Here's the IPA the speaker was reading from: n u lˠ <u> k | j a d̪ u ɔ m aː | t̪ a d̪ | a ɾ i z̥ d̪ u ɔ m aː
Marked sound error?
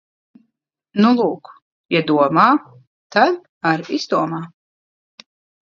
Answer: yes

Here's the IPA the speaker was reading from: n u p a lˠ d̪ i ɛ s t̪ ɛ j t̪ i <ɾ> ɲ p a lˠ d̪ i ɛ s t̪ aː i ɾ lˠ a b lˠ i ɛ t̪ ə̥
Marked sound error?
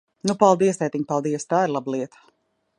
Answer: yes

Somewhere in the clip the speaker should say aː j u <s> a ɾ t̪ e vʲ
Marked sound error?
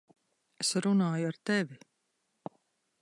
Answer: yes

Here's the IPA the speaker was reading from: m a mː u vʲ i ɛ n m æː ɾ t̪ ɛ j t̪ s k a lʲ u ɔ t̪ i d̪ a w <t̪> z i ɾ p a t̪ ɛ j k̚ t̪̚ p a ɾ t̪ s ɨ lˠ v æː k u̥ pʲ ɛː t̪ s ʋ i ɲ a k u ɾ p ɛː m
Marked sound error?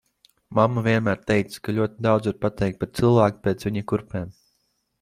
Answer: yes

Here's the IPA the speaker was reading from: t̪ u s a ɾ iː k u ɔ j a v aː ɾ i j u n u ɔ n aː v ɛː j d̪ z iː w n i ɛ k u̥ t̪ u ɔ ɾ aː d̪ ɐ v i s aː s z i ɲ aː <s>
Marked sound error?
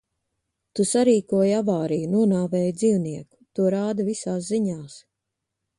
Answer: no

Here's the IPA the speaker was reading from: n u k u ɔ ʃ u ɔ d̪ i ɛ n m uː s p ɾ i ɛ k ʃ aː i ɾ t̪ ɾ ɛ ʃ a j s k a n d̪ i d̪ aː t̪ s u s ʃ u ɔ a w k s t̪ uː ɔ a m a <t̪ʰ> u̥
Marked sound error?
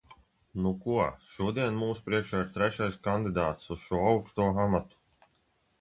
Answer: yes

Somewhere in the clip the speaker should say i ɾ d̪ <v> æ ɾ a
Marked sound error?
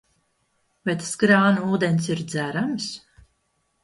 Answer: yes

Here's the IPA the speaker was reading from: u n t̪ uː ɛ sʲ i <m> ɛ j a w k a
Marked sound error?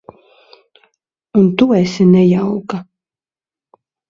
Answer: yes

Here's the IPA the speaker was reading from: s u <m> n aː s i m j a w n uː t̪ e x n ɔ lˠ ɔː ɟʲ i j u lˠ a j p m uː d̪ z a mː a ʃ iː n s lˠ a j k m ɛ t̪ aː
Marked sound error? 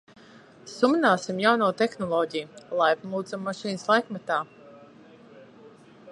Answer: no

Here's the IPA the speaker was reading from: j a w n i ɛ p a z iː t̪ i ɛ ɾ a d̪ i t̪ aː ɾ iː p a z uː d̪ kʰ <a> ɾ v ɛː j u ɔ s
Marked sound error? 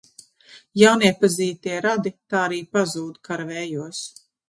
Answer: no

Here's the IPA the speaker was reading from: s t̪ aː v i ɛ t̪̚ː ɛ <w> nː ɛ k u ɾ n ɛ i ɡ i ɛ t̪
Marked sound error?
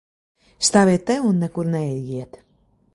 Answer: yes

